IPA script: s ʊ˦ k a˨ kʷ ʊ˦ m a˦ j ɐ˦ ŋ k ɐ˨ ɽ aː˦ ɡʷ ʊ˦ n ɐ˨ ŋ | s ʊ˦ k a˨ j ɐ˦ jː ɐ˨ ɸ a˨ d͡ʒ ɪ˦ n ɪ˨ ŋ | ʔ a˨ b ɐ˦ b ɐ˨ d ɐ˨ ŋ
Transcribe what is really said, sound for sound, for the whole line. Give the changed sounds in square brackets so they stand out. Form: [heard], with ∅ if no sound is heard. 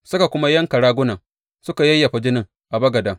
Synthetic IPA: s ʊ˦ k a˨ kʷ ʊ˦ m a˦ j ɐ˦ ŋ k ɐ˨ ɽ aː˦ ɡʷ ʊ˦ n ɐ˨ ŋ | s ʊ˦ k a˨ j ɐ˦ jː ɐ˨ ɸ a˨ d͡ʒ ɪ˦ n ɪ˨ ŋ | ʔ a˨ b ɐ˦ [ɡ] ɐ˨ d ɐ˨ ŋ